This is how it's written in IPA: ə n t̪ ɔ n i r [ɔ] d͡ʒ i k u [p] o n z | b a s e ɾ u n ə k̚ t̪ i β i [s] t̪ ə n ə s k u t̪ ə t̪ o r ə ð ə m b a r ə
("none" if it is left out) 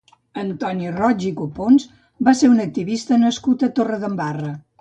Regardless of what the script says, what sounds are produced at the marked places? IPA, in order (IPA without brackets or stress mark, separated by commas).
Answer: ɔ, p, s